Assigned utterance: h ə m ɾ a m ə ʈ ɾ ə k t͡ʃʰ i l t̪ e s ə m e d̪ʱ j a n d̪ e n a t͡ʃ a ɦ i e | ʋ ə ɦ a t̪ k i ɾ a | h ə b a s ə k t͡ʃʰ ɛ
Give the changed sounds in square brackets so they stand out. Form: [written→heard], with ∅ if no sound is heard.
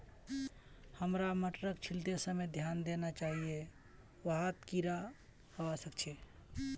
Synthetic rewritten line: h ə m ɾ a m ə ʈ ɾ ə k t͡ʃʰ i l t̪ e s ə m e d̪ʱ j a n d̪ e n a t͡ʃ a ɦ i e | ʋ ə ɦ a t̪ k i ɾ a | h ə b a s ə k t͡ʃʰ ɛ